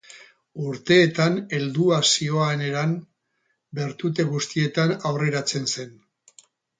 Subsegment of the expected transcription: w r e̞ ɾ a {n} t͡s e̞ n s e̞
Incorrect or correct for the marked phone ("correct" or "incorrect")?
incorrect